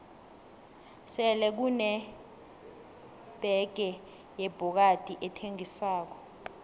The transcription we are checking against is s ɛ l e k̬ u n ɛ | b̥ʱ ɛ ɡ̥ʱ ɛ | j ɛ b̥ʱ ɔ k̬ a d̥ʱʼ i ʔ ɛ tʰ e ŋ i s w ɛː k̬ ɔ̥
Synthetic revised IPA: s ɛ l ɛ k̬ u n ɛ | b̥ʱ ɛ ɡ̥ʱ ɛ | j ɛ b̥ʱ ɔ k̬ a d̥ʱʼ i ʔ ɛ tʰ e ŋ i s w aː k̬ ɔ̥